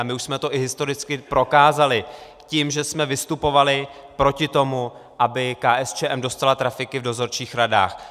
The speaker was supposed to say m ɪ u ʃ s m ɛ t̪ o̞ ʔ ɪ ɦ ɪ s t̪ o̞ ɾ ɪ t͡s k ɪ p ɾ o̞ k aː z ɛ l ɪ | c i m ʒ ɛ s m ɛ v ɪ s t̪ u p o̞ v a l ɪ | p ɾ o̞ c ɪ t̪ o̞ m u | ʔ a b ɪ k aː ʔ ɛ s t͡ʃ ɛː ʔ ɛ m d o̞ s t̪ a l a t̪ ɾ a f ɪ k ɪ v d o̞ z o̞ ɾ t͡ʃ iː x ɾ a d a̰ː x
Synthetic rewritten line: m ɪ u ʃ s m ɛ t̪ o̞ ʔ ɪ ɦ ɪ s t̪ o̞ ɾ ɪ t͡s k ɪ p ɾ o̞ k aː z a l ɪ | c i m ʒ ɛ s m ɛ v ɪ s t̪ u p o̞ v a l ɪ | p ɾ o̞ c ɪ t̪ o̞ m u | ʔ a b ɪ k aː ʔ ɛ s t͡ʃ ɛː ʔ ɛ m d o̞ s t̪ a l a t̪ ɾ a f ɪ k ɪ v d o̞ z o̞ ɾ t͡ʃ iː x ɾ a d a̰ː x